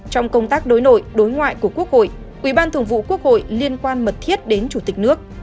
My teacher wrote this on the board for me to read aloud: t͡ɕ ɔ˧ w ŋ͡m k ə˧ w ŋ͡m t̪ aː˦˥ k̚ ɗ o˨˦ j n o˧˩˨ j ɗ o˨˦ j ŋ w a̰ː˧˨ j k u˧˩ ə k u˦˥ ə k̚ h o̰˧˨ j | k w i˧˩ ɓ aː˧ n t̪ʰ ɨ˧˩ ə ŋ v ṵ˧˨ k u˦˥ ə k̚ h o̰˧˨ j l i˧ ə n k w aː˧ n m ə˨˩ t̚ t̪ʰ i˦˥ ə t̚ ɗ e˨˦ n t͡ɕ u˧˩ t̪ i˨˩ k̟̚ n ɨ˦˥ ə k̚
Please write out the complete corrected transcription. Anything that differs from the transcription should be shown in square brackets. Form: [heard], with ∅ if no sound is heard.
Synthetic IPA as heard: t͡ɕ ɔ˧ w ŋ͡m k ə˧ w ŋ͡m t̪ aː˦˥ k̚ ɗ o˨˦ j n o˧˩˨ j ɗ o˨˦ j ŋ w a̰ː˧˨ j k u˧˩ ə k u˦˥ ə k̚ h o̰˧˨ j | [ʔ] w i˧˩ ɓ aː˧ n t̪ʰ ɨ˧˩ ə ŋ v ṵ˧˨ k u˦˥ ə k̚ h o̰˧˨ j l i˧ ə n k w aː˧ n m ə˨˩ t̚ t̪ʰ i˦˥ ə t̚ ɗ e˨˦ n t͡ɕ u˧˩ t̪ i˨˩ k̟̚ n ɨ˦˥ ə k̚